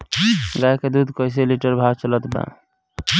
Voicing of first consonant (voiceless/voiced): voiced